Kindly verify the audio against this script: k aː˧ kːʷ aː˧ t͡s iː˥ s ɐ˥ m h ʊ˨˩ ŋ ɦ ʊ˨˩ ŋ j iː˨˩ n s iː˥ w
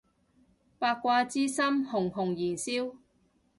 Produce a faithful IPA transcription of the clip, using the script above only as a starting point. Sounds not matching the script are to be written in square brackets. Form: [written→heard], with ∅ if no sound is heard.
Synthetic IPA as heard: [k→p] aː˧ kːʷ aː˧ t͡s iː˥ s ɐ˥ m h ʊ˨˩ ŋ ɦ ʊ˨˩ ŋ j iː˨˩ n s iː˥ w

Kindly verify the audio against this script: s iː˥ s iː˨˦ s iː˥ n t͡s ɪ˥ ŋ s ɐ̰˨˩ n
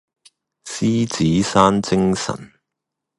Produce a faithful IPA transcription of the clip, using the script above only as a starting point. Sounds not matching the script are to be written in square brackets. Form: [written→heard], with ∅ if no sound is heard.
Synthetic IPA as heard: s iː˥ [s→t͡s] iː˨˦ s [iː˥→aː˥] n t͡s ɪ˥ ŋ s ɐ̰˨˩ n

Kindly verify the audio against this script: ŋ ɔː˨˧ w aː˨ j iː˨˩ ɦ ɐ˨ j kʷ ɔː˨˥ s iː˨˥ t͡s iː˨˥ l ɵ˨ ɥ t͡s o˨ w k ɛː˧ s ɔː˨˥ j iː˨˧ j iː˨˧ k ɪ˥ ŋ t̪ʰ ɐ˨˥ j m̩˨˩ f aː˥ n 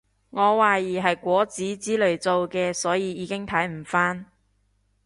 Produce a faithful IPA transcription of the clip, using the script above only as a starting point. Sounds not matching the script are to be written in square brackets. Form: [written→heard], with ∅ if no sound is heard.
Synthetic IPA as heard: ŋ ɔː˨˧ w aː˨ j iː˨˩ ɦ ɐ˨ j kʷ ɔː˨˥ [s→t͡s] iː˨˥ t͡s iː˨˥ l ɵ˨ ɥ t͡s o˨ w k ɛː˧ s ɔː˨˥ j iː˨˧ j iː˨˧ k ɪ˥ ŋ t̪ʰ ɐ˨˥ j m̩˨˩ f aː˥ n

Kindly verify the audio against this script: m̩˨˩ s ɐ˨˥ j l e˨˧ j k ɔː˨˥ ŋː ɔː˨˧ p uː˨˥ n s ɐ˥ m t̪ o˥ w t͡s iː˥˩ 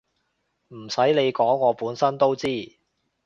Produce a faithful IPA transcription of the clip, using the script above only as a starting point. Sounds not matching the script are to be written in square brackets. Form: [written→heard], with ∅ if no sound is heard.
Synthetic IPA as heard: m̩˨˩ s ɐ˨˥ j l e˨˧ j k ɔː˨˥ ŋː ɔː˨˧ p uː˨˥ n s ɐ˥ [m→n] t̪ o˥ w t͡s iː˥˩

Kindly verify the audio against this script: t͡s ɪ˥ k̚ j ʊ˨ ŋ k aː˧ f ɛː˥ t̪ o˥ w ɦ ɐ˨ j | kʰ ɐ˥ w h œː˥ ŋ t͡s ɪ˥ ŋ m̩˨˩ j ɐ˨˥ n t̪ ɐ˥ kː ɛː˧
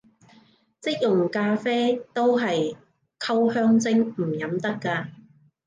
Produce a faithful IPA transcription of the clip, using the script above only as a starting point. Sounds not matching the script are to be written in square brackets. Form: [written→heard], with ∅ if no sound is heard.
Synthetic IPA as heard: t͡s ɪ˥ k̚ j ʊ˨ ŋ k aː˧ f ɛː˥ t̪ o˥ w ɦ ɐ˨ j | kʰ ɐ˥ w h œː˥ ŋ t͡s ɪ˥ ŋ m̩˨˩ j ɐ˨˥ [n→m] t̪ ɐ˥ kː [ɛː˧→aː˧]

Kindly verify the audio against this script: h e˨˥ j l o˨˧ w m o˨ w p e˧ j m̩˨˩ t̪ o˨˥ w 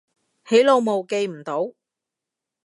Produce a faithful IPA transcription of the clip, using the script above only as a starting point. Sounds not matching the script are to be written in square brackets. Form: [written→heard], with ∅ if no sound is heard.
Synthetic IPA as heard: h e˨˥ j l o˨˧ w m o˨ w [p→k] e˧ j m̩˨˩ t̪ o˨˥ w

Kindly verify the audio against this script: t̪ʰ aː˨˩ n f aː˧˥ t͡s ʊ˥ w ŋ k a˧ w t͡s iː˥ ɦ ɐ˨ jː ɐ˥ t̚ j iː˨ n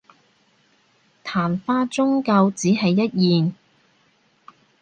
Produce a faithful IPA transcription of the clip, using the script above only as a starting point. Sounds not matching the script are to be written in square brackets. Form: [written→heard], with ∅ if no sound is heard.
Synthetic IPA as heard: t̪ʰ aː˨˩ n f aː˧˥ t͡s ʊ˥ [w→∅] ŋ k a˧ w t͡s [iː˥→iː˨˥] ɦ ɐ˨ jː ɐ˥ t̚ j iː˨ n

